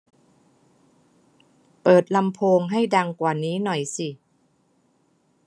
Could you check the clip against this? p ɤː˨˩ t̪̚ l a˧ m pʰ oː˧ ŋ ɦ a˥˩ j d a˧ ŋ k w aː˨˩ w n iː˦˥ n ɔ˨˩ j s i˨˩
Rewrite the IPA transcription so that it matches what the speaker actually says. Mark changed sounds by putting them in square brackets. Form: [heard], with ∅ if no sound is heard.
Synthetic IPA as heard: p ɤː˨˩ t̪̚ l a˧ m pʰ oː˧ ŋ ɦ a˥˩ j d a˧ ŋ k w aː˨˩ [∅] n iː˦˥ n ɔ˨˩ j s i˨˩